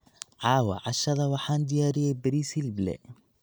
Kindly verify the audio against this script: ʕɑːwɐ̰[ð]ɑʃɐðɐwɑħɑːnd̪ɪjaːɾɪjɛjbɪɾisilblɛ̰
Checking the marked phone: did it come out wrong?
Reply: yes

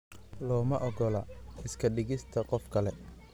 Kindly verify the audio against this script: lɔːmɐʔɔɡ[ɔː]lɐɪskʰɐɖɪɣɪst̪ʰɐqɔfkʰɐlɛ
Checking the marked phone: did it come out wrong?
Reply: yes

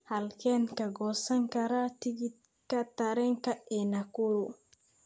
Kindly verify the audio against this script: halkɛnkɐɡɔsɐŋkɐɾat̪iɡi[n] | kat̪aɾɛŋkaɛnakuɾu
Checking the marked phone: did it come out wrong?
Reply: yes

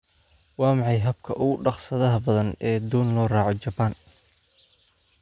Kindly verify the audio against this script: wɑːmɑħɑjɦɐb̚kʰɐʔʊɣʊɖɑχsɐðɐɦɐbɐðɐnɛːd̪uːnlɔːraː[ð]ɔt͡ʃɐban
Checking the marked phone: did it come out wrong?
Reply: yes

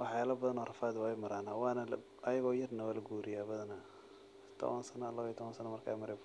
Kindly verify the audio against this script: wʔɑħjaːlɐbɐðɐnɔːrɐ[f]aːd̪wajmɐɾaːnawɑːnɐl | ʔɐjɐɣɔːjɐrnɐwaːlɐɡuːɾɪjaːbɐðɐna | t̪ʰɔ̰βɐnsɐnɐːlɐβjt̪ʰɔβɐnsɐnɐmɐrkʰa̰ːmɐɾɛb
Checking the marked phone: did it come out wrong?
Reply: no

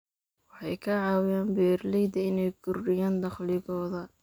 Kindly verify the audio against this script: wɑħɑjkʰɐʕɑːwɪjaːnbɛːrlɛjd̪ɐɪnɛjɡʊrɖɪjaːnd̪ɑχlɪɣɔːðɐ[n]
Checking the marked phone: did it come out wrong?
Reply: yes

